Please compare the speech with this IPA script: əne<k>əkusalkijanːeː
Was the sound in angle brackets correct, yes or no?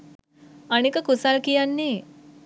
yes